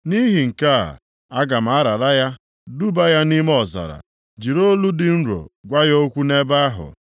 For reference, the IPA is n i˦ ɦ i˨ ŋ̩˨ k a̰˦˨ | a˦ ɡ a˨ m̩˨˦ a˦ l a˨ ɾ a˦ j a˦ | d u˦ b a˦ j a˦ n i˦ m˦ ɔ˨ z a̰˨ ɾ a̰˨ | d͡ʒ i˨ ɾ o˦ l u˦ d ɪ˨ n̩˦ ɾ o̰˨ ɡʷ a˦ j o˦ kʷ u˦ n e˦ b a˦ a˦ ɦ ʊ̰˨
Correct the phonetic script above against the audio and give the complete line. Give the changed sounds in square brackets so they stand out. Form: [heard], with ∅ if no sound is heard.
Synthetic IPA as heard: n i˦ ɦ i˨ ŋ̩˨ k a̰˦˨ | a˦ ɡ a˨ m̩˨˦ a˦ [ɾ] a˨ ɾ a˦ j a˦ | d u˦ b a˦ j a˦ n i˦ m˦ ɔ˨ z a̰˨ ɾ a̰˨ | d͡ʒ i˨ ɾ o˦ l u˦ d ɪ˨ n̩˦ ɾ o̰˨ ɡʷ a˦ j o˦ kʷ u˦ n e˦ b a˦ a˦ ɦ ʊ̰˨